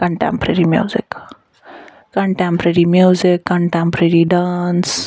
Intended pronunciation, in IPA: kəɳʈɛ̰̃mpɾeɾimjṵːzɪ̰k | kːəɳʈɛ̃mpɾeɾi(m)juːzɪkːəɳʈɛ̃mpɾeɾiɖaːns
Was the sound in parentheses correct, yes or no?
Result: yes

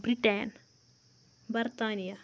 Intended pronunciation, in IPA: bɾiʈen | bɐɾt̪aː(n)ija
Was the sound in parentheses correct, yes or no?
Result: yes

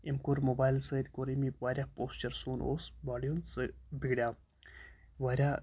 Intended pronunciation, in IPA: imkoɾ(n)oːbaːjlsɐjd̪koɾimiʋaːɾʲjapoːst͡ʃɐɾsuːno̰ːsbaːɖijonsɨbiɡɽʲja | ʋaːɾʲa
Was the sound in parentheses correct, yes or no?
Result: no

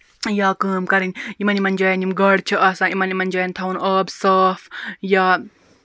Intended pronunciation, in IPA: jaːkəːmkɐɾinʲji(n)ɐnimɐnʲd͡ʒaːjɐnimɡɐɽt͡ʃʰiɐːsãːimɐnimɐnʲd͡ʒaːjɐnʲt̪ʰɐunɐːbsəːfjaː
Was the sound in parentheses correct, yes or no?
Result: no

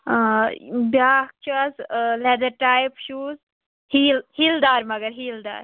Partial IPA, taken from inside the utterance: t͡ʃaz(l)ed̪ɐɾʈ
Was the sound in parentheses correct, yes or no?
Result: yes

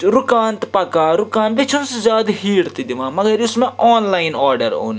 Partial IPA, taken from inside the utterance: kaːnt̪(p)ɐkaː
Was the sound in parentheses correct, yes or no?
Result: yes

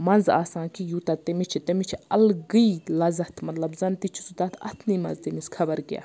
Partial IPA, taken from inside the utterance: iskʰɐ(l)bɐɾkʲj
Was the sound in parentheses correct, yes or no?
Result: no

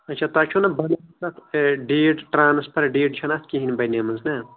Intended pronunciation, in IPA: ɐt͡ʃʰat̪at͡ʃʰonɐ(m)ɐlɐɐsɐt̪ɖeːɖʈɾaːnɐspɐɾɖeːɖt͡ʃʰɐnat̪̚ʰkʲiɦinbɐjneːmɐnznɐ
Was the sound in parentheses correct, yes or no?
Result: no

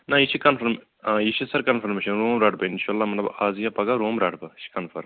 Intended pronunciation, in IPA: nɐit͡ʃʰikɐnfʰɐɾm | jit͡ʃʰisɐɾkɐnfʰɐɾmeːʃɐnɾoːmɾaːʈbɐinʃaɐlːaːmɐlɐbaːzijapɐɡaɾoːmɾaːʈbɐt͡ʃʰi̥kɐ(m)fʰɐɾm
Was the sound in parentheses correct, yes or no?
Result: no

